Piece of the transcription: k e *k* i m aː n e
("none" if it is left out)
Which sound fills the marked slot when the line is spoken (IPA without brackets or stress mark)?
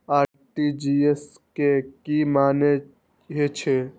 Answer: k